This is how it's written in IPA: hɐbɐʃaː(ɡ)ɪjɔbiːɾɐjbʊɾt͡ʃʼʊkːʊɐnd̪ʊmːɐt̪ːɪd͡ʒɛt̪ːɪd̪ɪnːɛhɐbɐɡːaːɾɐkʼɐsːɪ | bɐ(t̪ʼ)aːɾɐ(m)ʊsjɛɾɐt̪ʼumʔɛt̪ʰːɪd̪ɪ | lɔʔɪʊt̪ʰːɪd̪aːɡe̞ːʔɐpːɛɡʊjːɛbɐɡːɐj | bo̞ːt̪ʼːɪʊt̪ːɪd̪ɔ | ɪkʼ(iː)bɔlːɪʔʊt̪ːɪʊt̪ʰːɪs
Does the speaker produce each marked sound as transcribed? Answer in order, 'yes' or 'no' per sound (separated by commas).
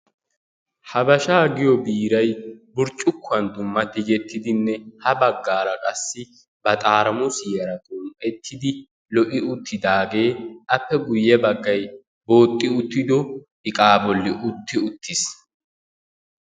yes, yes, yes, no